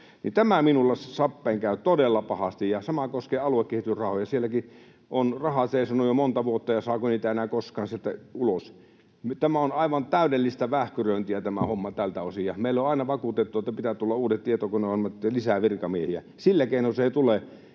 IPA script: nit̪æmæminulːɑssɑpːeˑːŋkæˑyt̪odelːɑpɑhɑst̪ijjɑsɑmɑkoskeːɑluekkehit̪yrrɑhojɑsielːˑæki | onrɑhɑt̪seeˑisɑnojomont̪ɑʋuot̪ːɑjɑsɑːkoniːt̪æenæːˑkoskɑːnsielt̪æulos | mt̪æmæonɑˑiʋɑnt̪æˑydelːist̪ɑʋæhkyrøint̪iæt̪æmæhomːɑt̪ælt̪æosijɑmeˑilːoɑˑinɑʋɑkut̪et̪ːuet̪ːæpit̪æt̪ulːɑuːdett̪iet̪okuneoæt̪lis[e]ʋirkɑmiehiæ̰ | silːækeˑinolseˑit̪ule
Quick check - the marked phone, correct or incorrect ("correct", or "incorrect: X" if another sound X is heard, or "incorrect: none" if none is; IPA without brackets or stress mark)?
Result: incorrect: æ